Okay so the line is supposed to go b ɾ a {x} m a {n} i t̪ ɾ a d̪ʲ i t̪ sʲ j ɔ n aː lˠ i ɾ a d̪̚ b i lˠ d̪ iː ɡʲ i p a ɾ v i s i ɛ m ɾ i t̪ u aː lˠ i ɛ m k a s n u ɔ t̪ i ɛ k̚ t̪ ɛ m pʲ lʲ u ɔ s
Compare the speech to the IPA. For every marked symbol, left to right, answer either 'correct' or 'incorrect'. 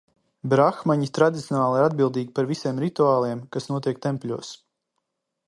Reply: correct, incorrect: ɲ

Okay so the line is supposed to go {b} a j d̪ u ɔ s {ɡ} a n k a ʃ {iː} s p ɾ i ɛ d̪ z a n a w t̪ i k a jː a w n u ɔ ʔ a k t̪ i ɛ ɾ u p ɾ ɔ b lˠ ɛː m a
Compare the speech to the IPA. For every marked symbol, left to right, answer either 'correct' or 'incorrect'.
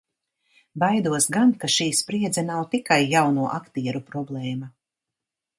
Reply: correct, correct, correct

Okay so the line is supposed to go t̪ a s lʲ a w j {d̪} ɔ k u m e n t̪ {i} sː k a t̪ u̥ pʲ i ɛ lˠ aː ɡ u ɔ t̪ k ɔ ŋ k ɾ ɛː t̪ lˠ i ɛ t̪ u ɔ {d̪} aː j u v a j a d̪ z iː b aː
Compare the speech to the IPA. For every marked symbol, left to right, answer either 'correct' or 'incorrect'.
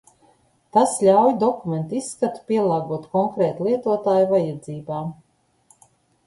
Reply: correct, correct, incorrect: t̪

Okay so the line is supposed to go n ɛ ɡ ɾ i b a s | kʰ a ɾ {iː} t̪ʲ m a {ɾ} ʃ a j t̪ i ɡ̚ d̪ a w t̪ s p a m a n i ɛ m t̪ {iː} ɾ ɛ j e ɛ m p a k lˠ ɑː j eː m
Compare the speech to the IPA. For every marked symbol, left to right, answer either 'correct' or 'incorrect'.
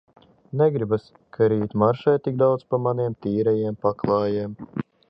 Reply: correct, correct, correct

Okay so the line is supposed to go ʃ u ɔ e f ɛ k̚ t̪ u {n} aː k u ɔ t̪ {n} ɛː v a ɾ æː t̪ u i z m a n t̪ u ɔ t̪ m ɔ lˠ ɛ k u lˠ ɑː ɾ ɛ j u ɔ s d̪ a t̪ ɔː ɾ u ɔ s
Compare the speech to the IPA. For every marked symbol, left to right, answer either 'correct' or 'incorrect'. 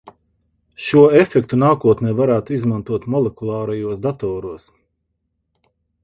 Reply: correct, correct

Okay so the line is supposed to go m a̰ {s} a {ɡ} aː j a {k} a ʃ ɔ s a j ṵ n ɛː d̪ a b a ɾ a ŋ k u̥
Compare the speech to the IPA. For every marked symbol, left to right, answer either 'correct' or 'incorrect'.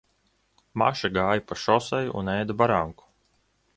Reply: incorrect: ʃ, correct, incorrect: p

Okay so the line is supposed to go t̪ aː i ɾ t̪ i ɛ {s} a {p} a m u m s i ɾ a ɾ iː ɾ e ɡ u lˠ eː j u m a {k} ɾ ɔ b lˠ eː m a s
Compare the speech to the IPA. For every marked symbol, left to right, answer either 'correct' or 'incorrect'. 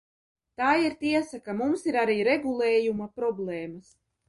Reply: correct, incorrect: k, incorrect: p

